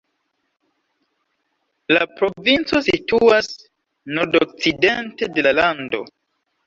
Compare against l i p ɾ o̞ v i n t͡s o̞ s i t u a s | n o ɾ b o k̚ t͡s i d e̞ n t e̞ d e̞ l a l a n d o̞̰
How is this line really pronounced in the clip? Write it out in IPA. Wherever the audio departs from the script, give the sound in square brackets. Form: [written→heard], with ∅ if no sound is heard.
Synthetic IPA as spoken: l [i→a] p ɾ o̞ v i n t͡s o̞ s i t u a s | n o ɾ [b→d] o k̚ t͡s i d e̞ n t e̞ d e̞ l a l a n d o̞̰